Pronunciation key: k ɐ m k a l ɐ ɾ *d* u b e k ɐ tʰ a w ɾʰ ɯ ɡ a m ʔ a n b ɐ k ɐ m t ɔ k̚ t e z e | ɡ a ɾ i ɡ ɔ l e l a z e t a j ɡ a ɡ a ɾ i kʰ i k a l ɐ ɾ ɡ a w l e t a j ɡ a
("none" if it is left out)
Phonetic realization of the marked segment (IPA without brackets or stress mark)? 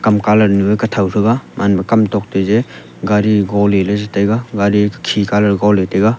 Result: n